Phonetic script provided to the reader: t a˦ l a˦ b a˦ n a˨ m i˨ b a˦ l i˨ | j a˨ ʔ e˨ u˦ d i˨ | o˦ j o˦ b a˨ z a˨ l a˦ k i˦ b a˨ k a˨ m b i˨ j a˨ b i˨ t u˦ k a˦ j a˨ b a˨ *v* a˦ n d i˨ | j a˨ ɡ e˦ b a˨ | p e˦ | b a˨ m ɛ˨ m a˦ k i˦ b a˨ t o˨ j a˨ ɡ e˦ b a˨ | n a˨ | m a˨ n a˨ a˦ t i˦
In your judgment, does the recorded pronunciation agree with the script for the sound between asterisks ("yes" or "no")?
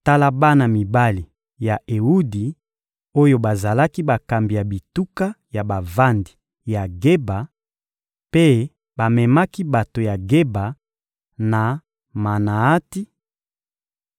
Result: yes